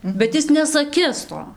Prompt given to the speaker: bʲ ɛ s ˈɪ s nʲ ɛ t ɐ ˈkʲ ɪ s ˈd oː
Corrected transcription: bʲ ɛ t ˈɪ s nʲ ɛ s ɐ ˈkʲ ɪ s ˈt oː